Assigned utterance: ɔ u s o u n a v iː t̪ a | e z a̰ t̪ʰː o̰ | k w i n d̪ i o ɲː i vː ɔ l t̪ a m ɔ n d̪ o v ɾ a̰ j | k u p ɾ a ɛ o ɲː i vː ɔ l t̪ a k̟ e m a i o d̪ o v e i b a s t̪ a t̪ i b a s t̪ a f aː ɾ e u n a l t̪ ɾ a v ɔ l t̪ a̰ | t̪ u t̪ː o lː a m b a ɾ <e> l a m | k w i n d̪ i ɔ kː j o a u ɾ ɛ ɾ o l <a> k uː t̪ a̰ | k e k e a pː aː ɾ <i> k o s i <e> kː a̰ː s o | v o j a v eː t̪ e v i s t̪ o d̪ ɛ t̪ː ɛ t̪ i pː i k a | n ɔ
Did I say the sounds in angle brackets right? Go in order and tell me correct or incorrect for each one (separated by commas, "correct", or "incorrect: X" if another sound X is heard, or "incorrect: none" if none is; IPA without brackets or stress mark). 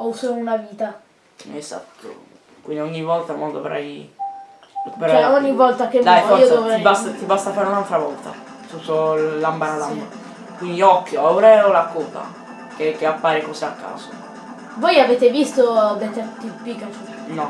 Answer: incorrect: a, correct, incorrect: e, incorrect: a